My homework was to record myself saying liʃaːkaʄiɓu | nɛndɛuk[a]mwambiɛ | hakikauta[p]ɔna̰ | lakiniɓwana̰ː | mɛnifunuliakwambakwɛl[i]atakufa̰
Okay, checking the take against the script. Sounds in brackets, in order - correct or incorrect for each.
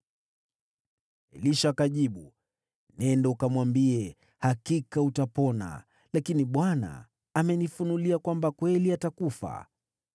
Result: correct, correct, correct

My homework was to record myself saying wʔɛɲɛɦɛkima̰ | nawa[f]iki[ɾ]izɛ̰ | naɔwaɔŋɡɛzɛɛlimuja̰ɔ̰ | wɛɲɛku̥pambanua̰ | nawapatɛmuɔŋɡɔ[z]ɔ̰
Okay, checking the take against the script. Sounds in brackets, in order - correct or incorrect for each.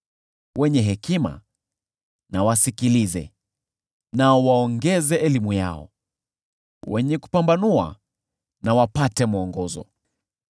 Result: incorrect: s, incorrect: l, correct

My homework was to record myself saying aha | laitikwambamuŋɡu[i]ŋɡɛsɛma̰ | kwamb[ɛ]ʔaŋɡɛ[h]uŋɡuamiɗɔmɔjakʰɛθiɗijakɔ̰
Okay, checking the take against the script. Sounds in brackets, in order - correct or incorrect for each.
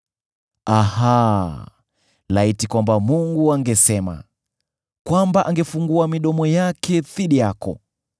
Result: incorrect: a, incorrect: a, incorrect: f

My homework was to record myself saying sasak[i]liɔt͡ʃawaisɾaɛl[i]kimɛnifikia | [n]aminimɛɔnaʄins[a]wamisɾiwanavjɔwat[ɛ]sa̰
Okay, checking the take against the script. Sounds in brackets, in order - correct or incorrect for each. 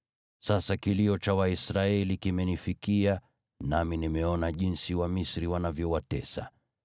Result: correct, correct, correct, incorrect: i, correct

